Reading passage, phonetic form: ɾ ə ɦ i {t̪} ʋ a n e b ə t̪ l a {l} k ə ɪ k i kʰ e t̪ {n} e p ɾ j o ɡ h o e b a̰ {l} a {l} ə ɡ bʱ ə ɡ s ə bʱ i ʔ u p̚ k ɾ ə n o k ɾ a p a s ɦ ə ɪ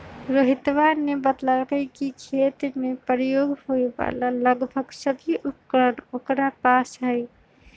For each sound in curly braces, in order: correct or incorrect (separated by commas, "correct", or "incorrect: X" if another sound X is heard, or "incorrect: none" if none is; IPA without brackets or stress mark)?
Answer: correct, correct, incorrect: m, correct, correct